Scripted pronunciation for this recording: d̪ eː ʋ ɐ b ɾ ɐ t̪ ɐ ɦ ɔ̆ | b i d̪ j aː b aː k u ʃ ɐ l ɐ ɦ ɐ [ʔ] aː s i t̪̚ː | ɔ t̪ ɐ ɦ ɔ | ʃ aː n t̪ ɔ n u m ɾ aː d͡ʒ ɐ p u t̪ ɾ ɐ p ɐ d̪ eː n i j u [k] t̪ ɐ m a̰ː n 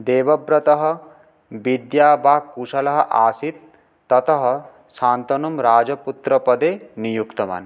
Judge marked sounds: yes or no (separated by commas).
yes, yes